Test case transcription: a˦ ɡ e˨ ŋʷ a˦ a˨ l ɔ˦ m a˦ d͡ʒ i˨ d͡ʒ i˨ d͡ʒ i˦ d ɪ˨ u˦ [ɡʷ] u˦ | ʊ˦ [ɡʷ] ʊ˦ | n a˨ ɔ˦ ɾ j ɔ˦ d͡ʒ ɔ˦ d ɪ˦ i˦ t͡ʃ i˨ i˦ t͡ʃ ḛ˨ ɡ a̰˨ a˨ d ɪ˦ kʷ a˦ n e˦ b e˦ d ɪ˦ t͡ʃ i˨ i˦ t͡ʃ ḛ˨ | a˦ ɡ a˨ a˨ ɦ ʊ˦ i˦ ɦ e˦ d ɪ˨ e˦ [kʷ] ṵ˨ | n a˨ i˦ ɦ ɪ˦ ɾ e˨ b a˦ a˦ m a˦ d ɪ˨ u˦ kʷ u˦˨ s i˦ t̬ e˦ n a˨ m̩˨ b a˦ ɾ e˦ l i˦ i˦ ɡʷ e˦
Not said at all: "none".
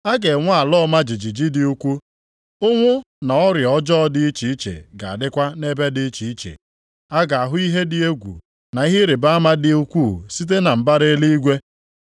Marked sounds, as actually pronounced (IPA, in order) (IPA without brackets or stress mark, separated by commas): kʷ, ŋʷ, ɡʷ